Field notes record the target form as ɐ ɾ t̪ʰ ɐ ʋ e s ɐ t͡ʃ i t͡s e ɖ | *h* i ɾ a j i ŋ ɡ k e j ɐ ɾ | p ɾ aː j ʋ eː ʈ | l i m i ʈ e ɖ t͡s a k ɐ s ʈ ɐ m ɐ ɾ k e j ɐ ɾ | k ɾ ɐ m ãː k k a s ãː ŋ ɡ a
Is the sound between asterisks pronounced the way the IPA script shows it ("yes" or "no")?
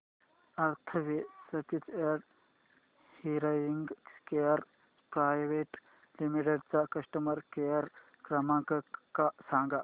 yes